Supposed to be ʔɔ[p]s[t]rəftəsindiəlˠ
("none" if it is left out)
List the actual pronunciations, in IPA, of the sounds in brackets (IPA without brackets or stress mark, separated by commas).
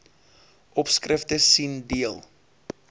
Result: p, k